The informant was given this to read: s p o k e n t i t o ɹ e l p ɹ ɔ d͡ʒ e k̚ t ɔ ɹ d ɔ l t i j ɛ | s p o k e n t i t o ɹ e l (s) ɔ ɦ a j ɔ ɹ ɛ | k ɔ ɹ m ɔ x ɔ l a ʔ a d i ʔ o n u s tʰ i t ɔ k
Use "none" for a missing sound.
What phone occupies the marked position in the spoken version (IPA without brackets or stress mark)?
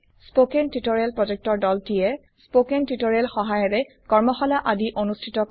x